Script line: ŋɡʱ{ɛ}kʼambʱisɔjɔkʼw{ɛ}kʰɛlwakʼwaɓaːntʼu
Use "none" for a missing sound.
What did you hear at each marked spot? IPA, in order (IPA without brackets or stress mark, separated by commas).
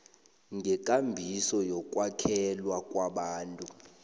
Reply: ɛ, a